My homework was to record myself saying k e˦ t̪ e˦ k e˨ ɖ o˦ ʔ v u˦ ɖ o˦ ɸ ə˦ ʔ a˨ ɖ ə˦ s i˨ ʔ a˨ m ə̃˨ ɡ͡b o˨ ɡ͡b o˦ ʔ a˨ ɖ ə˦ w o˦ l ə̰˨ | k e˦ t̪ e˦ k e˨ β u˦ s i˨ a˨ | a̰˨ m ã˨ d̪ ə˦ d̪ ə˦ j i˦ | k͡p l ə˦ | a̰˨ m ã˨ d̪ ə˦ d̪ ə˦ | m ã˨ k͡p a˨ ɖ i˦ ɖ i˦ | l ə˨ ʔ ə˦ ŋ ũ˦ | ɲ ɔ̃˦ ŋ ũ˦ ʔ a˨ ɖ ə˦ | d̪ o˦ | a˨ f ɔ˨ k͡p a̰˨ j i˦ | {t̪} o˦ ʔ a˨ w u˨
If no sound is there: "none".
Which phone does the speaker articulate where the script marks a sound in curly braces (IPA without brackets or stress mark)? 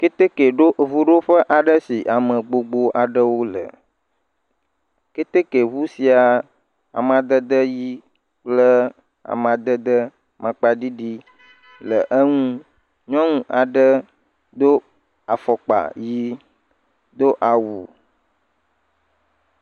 d̪